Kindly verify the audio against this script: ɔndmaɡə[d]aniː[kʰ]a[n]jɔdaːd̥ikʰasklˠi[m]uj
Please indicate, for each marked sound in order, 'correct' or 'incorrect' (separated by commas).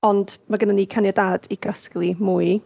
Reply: incorrect, correct, correct, correct